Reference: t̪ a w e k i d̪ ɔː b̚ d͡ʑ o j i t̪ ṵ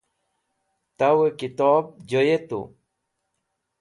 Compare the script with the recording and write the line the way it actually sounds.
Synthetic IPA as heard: t̪ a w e k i t̪ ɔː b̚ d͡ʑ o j e t̪ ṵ